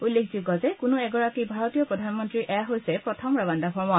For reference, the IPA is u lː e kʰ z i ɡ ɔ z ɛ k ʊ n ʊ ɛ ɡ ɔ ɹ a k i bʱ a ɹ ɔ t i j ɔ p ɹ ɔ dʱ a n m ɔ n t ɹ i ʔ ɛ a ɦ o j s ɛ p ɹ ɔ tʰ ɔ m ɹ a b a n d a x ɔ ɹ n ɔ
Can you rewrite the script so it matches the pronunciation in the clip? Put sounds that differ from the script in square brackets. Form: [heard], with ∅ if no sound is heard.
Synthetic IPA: u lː e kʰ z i ɡ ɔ z ɛ k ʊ n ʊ ɛ ɡ ɔ ɹ a k i bʱ a ɹ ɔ t i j ɔ p ɹ ɔ dʱ a n m ɔ n t ɹ i ʔ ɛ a ɦ o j s ɛ p ɹ ɔ tʰ ɔ m ɹ a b a n d a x ɔ ɹ [m] ɔ